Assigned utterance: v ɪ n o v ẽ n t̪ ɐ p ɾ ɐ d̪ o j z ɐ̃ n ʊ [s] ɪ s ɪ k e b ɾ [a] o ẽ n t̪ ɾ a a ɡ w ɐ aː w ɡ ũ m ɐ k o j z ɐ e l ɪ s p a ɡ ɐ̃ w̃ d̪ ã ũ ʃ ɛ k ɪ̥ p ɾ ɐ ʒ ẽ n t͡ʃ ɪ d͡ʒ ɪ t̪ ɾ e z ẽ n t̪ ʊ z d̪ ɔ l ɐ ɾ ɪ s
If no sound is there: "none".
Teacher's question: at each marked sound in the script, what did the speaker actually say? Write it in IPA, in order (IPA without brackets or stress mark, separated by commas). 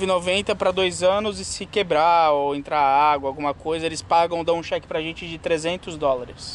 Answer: z, a